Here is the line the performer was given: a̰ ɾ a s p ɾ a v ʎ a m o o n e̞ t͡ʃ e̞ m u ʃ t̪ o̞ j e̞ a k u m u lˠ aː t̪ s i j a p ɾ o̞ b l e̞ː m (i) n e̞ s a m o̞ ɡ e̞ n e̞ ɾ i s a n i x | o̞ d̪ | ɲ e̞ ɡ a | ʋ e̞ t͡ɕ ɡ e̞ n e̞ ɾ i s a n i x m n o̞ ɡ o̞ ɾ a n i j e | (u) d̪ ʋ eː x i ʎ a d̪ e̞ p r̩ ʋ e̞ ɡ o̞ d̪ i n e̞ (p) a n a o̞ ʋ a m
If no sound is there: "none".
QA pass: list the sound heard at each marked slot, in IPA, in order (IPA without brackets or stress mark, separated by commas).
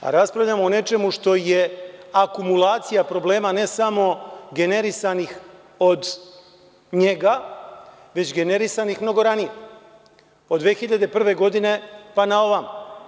a, o, p